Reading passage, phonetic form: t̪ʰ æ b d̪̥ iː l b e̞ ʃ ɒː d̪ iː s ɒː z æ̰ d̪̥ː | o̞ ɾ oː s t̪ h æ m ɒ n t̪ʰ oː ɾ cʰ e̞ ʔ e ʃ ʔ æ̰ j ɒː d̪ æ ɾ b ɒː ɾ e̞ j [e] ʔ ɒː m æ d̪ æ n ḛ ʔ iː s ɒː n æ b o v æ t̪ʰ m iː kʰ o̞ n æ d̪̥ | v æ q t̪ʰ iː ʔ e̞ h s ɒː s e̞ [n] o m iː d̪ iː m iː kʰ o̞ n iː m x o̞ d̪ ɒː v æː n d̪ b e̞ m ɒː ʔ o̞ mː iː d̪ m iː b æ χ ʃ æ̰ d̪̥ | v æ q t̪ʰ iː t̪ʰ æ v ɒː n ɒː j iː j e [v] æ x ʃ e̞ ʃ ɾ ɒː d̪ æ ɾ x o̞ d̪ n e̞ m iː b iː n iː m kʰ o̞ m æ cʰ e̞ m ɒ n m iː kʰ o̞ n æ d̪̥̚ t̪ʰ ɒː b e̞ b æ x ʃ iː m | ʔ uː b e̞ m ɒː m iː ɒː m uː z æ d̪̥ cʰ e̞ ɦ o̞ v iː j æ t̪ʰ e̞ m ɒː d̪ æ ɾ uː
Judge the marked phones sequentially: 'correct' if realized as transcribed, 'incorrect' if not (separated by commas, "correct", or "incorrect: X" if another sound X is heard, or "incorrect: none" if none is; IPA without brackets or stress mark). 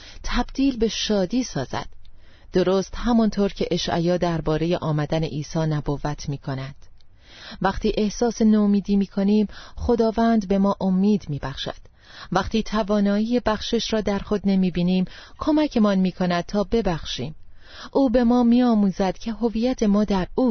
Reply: correct, correct, incorrect: b